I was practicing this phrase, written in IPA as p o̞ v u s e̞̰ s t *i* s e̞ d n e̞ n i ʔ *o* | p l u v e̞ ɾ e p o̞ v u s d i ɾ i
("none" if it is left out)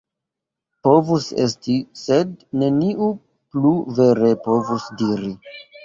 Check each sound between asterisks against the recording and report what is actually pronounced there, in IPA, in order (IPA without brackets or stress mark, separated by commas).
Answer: i, u